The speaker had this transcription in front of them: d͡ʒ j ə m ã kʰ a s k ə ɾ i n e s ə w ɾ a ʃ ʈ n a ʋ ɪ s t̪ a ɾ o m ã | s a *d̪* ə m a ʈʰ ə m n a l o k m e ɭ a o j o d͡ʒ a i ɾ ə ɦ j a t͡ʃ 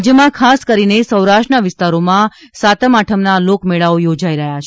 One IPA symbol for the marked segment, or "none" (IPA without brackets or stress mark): t̪